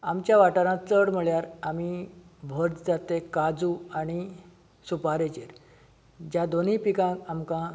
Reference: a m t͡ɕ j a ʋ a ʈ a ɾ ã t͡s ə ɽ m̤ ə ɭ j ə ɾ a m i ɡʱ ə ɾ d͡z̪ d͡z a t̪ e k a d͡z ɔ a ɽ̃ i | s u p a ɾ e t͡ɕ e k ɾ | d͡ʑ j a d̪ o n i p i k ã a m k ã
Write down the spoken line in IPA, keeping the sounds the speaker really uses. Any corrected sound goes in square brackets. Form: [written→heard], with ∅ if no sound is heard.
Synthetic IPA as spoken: a m t͡ɕ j a ʋ a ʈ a ɾ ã t͡s ə ɽ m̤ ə ɭ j [ə→a] ɾ a m i [ɡʱ→bʱ] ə ɾ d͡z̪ d͡z a t̪ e k a d͡z [ɔ→u] a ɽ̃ i | s u p a ɾ e t͡ɕ e [k→∅] ɾ | d͡ʑ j a d̪ o n i p i k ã a m k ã